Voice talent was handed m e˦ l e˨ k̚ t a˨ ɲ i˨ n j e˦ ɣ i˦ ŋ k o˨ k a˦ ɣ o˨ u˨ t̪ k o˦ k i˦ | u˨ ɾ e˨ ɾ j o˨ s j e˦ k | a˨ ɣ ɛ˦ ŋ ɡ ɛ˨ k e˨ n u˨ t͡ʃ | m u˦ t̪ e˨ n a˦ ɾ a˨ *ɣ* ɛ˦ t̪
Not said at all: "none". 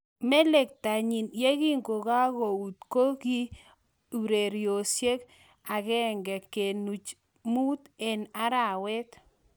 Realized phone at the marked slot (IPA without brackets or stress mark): w